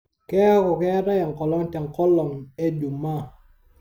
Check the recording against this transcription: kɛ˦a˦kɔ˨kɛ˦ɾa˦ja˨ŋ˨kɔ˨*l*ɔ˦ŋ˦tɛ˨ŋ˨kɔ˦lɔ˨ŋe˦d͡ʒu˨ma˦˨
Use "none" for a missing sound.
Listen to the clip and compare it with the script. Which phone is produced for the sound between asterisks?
l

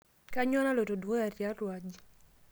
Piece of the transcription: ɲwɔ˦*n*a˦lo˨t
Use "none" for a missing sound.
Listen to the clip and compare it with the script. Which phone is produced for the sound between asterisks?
n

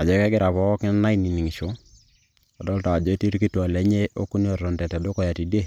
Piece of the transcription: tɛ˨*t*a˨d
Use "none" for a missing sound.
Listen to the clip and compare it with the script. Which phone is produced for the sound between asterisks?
t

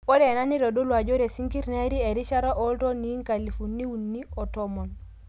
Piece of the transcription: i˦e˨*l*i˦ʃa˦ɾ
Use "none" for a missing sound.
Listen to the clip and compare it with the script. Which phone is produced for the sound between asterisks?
ɾ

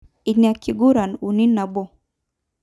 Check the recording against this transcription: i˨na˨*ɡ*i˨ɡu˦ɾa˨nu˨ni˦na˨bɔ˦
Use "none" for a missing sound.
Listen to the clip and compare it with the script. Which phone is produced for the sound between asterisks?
k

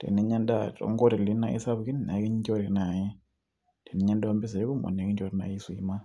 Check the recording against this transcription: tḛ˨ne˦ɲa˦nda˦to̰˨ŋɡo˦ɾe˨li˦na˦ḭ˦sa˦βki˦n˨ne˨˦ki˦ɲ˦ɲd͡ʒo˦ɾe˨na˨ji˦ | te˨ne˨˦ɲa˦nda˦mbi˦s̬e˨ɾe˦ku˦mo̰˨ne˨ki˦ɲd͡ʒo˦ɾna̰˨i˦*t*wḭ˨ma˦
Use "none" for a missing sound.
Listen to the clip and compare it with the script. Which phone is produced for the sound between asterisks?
s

